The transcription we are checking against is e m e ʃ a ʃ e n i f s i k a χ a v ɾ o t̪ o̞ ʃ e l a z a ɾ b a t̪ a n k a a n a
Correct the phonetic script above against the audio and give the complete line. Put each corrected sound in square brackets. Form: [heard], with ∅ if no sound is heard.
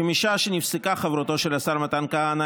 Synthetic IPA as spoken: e m [i] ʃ a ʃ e n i f s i k a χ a v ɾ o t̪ o̞ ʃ e l a [s] a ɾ [m] a t̪ a n k a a n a